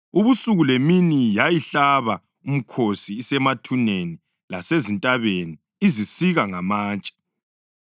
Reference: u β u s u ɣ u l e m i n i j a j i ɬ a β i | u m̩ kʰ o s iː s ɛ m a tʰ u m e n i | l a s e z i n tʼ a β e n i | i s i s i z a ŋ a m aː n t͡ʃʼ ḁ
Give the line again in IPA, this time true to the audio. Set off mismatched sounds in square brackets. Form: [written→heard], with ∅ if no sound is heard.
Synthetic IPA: u β u s u ɣ u l e m i n i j a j i ɬ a β [i→a] | u m̩ kʰ o s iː s ɛ m a tʰ u [m→n] e n i | l a s e z i n tʼ a β e n i | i [s→z] i s i [z→ɣ] a ŋ a m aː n t͡ʃʼ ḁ